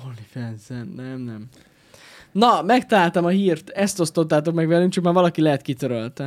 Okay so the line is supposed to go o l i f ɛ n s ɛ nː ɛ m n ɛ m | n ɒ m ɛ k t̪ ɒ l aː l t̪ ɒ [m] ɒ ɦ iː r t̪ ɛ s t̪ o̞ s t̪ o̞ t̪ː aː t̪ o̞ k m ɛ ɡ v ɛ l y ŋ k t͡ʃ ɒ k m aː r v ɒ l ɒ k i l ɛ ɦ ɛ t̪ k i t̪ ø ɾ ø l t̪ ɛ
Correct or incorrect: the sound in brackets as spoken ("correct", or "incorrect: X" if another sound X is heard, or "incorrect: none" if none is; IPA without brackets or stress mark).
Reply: correct